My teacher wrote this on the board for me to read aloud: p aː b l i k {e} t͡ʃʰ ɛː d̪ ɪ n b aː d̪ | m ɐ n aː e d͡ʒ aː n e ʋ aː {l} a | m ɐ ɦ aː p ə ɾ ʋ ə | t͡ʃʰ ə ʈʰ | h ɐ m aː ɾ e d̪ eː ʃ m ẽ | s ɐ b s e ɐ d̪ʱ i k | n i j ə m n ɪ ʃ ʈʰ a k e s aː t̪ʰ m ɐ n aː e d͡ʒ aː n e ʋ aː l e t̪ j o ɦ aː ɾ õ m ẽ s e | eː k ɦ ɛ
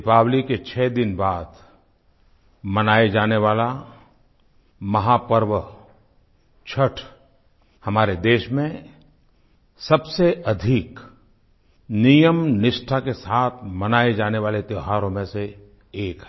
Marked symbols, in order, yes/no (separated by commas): yes, yes